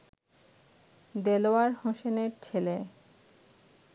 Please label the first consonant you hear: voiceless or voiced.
voiced